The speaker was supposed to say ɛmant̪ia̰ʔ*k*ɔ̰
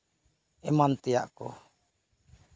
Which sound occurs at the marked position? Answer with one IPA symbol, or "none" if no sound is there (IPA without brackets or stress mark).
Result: k